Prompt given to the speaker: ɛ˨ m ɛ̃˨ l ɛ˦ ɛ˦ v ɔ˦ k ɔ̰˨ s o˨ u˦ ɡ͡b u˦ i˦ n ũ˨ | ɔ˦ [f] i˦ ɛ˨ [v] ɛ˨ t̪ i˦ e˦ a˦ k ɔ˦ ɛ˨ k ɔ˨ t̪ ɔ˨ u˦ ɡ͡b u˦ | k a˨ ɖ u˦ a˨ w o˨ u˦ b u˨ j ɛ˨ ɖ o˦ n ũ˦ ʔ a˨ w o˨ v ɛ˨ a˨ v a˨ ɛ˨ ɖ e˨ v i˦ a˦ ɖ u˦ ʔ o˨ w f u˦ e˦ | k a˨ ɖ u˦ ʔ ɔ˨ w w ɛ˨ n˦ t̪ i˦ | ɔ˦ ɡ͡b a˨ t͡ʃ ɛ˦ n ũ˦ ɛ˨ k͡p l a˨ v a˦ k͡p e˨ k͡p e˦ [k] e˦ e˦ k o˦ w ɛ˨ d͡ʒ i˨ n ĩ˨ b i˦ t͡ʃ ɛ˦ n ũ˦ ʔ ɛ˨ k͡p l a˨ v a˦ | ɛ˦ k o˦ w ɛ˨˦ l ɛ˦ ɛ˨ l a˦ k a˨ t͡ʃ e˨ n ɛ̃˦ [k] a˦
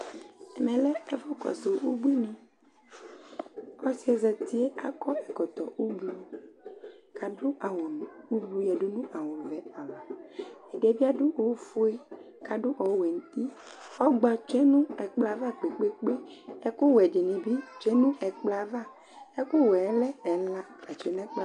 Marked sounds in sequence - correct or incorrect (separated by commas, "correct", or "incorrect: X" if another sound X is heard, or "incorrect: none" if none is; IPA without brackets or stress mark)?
incorrect: s, incorrect: z, incorrect: k͡p, incorrect: k͡p